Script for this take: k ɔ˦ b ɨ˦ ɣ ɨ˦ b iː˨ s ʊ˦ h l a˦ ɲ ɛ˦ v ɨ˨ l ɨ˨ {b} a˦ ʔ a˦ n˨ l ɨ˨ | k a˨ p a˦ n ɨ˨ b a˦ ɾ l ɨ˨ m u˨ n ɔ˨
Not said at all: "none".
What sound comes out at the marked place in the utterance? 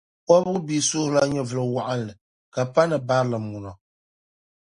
w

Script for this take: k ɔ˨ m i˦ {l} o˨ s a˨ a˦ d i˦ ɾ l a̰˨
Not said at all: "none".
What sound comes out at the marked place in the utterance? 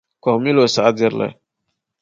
l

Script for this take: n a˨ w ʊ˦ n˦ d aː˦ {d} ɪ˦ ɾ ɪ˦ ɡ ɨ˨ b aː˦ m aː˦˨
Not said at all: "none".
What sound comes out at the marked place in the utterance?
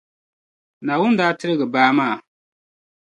t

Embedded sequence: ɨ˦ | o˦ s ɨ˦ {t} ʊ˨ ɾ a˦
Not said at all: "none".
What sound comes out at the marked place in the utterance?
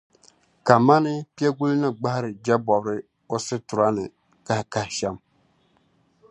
t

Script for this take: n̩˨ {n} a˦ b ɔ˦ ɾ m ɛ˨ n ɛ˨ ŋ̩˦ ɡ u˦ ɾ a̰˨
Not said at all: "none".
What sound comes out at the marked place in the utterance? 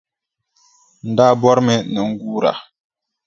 d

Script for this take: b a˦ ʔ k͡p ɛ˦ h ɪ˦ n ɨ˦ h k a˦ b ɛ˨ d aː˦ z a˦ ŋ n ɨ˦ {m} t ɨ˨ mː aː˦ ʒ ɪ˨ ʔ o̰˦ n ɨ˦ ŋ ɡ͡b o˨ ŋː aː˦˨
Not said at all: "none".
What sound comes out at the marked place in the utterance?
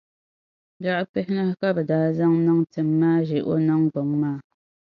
ŋ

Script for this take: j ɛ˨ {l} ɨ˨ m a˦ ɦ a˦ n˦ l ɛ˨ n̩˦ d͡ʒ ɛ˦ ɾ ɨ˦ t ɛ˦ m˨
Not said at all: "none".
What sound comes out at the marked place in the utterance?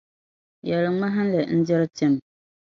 l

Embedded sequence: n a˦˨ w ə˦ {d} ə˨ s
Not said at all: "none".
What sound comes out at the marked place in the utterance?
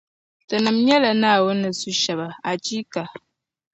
n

